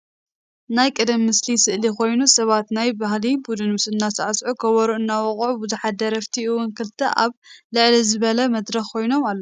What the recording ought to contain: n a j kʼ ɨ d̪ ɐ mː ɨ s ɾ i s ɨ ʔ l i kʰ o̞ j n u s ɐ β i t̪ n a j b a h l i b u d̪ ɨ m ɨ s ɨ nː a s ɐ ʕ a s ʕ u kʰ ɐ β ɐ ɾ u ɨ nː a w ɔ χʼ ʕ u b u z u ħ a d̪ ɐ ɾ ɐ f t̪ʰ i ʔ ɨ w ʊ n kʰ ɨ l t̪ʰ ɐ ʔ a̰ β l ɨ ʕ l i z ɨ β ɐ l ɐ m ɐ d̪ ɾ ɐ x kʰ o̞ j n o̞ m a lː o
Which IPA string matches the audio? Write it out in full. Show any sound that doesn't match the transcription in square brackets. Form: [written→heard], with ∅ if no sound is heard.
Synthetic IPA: n a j kʼ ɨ d̪ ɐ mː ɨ s [ɾ→l] i s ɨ ʔ l i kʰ o̞ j n u s ɐ β [i→a] t̪ n a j b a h l i b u d̪ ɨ [m→n] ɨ s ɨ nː a s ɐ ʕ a s ʕ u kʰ ɐ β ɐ ɾ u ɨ nː a w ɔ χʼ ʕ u b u z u ħ a d̪ ɐ ɾ ɐ f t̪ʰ i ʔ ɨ w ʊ n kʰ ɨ l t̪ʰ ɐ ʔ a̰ β l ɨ ʕ l i z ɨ β ɐ l ɐ m ɐ d̪ ɾ ɐ x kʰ o̞ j n o̞ m a lː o